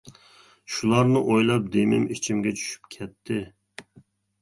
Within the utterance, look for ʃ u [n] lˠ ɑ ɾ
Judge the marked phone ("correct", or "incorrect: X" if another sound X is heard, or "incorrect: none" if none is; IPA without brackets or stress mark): incorrect: none